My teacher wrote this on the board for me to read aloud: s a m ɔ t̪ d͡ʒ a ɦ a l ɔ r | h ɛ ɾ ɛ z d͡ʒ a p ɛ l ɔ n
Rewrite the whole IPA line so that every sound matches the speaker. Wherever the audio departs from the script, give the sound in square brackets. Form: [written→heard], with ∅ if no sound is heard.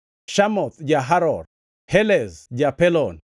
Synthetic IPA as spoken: [s→ʃ] a m ɔ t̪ d͡ʒ a ɦ a [l→ɾ] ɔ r | h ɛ [ɾ→l] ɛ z d͡ʒ a p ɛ l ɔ n